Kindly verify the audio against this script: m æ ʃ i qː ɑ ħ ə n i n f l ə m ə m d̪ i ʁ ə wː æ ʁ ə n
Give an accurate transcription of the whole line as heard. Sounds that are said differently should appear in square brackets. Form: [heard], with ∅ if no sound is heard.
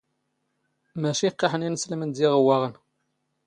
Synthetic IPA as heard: m æ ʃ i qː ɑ ħ ə n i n [s] l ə m ə [n] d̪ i ʁ ə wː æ ʁ ə n